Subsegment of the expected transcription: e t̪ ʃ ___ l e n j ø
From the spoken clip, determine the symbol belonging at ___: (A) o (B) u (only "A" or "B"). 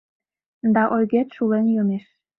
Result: B